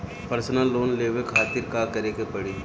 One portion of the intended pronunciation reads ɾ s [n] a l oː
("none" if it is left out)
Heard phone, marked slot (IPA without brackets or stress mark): n